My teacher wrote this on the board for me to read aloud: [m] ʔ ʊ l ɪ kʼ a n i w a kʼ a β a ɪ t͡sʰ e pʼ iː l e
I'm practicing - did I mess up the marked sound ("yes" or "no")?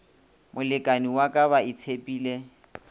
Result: no